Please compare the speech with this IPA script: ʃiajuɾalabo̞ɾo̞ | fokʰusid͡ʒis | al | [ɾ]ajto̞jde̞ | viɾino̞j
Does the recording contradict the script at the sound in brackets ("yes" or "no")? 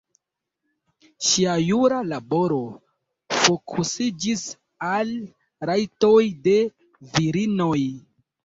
no